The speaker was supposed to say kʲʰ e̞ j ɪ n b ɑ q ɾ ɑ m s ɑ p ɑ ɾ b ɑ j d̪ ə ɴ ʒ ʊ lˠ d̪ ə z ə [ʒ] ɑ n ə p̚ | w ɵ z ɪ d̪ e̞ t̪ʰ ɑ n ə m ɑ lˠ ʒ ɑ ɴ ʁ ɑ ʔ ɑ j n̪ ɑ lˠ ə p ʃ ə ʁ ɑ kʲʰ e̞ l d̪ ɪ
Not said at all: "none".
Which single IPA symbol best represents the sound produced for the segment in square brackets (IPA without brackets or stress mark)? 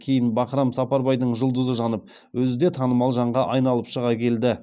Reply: ʒ